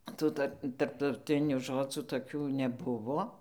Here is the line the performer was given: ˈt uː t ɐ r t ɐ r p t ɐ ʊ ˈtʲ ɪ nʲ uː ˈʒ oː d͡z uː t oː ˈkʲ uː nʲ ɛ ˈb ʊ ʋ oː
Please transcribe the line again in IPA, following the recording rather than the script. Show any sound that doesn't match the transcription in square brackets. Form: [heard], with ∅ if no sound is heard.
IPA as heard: ˈt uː t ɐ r t ɐ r p t ɐ ʊ ˈtʲ ɪ nʲ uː ˈʒ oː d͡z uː t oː ˈkʲ uː nʲ ɛ ˈb ʊ ʋ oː